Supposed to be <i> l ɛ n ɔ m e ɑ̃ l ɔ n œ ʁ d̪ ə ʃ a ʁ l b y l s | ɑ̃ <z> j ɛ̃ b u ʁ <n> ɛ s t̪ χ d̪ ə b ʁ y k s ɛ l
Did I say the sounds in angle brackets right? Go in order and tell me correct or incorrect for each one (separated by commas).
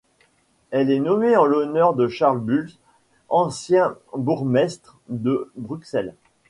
incorrect, incorrect, incorrect